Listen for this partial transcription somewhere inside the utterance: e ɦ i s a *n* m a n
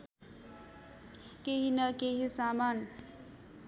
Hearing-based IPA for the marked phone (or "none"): none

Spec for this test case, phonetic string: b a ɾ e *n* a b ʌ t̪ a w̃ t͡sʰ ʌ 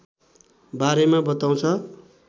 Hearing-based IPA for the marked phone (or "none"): m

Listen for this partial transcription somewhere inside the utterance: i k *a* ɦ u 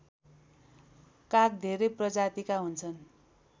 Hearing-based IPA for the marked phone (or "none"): a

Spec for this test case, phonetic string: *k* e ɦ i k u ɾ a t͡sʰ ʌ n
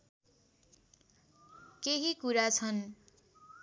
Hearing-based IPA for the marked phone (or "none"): k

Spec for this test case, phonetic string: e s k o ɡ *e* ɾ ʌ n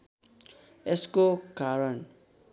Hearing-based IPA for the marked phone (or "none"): a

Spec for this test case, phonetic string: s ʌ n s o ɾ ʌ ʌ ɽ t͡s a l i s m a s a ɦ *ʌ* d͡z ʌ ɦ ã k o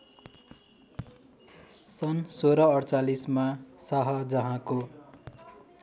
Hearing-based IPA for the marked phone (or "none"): ʌ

